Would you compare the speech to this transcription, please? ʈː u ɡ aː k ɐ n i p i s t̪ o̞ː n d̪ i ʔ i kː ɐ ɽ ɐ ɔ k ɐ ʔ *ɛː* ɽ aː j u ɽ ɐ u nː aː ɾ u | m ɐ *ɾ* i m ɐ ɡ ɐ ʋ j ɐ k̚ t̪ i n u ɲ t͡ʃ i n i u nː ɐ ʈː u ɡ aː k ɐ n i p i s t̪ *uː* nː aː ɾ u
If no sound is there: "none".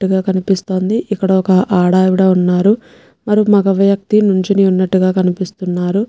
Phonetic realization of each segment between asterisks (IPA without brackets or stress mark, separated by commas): aː, ɾ, u